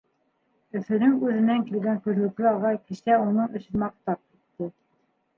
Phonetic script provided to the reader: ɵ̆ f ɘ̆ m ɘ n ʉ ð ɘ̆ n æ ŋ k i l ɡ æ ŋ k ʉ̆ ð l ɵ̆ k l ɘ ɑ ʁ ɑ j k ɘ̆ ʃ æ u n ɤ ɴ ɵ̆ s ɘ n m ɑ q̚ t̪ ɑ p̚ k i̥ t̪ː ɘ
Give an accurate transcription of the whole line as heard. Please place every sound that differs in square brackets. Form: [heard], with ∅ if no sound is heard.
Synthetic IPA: ɵ̆ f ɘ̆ [n] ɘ [ŋ] ʉ ð ɘ̆ n æ ŋ k i l ɡ æ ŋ k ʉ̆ ð l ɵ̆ k l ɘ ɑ ʁ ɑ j k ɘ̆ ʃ æ u n ɤ ɴ ɵ̆ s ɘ n m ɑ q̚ t̪ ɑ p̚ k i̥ t̪ː ɘ